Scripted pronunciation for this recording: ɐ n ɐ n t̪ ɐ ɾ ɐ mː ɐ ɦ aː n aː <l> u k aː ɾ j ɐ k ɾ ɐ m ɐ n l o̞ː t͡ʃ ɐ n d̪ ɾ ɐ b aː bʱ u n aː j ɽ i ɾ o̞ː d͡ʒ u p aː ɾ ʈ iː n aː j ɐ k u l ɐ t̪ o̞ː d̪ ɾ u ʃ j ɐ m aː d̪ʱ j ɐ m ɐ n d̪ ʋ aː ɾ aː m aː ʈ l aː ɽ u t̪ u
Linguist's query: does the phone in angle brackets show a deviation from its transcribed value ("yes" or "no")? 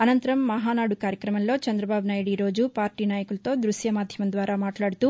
yes